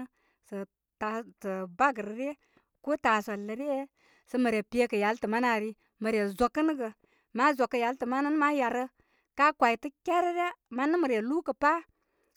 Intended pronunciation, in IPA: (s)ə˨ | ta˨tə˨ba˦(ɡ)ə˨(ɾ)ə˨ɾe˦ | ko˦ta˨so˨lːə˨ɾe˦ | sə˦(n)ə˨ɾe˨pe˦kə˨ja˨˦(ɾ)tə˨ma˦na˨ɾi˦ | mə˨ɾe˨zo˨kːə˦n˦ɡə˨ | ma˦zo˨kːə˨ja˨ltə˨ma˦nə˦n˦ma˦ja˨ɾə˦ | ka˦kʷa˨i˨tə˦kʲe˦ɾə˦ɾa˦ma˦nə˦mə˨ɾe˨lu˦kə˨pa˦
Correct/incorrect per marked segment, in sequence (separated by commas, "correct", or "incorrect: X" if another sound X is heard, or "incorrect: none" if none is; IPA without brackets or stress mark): correct, correct, correct, incorrect: m, incorrect: l